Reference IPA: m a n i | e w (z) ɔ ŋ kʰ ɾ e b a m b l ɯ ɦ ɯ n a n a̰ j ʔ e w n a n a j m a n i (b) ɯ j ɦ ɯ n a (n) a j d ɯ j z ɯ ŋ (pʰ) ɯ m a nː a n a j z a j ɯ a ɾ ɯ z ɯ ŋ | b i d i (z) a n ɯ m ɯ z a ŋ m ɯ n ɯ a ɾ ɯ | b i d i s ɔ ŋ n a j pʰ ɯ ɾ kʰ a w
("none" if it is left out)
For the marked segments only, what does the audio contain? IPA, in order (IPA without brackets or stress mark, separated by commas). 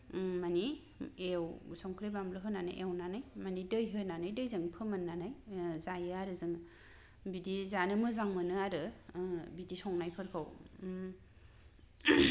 s, d, n, pʰ, z